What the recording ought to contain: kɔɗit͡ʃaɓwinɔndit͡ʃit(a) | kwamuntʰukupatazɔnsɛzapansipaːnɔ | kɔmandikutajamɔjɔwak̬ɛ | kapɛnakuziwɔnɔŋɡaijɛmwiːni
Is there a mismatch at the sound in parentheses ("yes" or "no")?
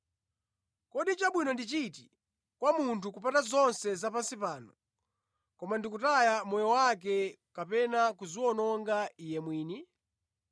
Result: yes